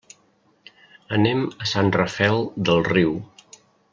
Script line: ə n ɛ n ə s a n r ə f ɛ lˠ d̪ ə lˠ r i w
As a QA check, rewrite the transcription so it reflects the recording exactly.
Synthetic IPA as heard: ə n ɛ m ə s a n r ə f ɛ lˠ d̪ ə lˠ r i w